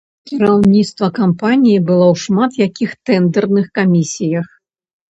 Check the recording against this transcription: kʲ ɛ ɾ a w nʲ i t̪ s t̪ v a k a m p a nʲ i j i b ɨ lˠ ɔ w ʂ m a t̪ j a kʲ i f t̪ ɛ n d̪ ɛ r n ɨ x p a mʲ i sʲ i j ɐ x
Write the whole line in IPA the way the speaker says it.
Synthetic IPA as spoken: kʲ i ɾ a w nʲ i t̪ s t̪ v ɐ k a m p a nʲ i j i b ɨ lˠ ɔ w ʂ m a t̪ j a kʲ i x t̪ ɛ n d̪ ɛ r n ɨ x k a mʲ i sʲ i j ɐ x